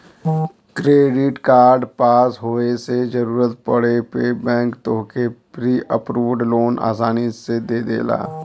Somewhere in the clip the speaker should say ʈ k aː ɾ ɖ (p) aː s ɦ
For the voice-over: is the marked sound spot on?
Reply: yes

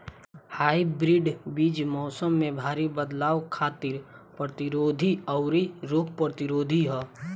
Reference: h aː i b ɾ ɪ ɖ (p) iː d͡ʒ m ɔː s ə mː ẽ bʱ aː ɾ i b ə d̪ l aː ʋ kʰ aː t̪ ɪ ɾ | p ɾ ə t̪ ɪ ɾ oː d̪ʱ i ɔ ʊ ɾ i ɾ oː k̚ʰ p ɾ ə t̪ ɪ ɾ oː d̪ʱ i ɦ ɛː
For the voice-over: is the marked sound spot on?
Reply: no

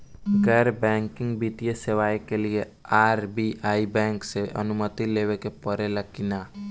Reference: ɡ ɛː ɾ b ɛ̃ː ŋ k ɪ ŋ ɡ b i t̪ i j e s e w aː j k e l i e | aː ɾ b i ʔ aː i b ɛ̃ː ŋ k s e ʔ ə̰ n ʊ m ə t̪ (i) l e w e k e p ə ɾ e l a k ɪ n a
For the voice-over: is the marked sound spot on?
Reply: yes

